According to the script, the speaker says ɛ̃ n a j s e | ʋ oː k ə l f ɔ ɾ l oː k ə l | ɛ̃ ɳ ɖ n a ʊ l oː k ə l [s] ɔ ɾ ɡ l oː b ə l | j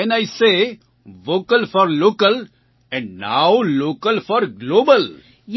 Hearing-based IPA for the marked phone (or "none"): f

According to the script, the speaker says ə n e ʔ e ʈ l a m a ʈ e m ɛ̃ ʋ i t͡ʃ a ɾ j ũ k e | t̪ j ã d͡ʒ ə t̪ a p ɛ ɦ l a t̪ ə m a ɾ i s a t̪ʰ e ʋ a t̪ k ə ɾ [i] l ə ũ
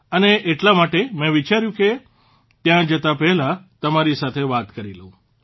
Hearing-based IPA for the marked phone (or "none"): i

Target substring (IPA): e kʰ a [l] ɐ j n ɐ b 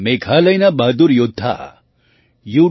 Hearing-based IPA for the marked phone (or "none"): l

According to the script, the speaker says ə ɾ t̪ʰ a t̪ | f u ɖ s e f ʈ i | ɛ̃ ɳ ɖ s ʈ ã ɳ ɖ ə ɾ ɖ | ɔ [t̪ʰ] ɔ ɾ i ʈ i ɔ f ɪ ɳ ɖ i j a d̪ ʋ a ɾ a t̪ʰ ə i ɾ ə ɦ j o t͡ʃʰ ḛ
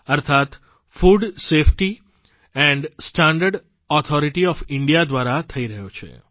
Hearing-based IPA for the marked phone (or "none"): t̪ʰ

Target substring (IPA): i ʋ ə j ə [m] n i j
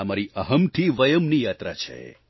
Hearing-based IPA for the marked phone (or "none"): m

